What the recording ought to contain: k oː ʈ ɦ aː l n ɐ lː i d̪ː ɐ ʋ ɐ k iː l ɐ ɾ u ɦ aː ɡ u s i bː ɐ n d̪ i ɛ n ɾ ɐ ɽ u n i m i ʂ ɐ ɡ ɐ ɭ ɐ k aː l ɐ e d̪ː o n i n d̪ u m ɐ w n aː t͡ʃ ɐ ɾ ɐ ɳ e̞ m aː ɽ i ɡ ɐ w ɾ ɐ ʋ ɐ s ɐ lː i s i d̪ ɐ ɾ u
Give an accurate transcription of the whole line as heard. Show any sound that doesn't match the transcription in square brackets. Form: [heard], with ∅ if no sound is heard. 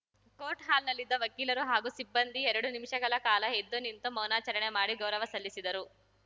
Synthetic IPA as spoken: k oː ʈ ɦ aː l n ɐ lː i d̪ː ɐ ʋ ɐ k iː l ɐ ɾ u ɦ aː ɡ u s i bː ɐ n d̪ i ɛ [∅] ɾ ɐ ɽ u n i m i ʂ ɐ ɡ ɐ ɭ ɐ k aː l ɐ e d̪ː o n i n [t̪] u m ɐ w n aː t͡ʃ ɐ ɾ ɐ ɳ e̞ m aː ɽ i ɡ ɐ w ɾ ɐ ʋ ɐ s ɐ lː i s i d̪ ɐ ɾ u